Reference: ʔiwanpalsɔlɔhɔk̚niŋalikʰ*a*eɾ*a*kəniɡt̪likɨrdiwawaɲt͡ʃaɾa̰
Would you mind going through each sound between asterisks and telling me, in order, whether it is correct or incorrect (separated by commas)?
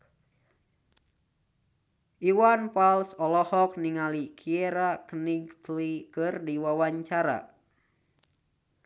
incorrect, correct